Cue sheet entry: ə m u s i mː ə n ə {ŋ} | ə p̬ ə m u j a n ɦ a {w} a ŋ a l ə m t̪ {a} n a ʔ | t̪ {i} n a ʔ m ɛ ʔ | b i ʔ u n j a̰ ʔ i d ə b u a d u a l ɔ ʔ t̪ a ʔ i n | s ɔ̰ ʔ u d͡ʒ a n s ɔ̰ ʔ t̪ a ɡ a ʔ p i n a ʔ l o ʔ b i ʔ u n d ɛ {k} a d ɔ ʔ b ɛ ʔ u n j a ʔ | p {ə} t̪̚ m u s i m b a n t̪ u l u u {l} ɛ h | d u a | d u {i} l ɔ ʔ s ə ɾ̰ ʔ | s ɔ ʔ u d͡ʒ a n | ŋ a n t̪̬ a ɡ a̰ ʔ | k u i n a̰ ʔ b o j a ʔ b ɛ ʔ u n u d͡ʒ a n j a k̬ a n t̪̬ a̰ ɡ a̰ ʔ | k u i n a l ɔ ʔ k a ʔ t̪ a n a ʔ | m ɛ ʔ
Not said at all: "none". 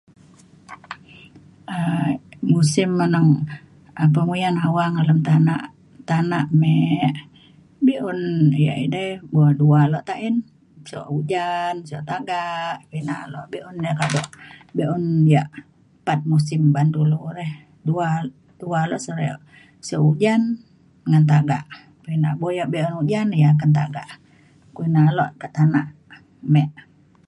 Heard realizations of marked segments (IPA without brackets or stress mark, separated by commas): ŋ, w, a, a, k, a, ɾ, a